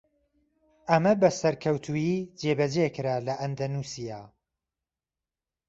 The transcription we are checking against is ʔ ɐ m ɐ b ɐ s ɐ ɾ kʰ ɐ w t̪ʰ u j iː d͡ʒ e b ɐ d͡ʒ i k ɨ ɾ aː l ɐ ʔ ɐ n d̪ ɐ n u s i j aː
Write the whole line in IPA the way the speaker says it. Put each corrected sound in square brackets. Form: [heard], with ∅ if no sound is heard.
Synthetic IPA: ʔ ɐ m ɐ b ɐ s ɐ ɾ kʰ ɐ w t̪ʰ u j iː d͡ʒ e b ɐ d͡ʒ [e] k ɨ ɾ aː l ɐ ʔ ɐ n d̪ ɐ n u s i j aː